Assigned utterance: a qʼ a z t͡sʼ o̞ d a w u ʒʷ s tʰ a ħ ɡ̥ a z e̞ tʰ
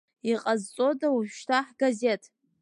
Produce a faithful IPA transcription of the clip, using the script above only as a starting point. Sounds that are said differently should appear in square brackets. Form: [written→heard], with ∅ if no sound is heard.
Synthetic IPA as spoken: [a→i] qʼ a z t͡sʼ o̞ d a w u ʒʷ [s→ʃ] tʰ a ħ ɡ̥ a z e̞ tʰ